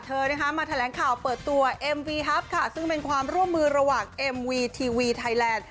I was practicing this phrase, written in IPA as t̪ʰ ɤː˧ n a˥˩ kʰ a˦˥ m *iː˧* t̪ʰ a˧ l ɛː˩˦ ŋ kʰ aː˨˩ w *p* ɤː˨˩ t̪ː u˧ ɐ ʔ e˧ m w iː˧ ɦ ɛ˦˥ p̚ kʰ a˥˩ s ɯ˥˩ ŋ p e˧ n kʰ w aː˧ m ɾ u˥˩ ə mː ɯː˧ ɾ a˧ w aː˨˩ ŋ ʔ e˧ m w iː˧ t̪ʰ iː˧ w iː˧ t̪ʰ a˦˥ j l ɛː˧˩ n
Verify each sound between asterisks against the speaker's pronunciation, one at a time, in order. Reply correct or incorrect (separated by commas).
incorrect, correct